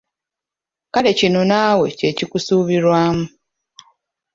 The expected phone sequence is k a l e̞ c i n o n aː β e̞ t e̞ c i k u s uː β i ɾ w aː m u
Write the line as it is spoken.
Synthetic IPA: k a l e̞ c i n o n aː w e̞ c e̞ c i k u s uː β i ɾ w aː m u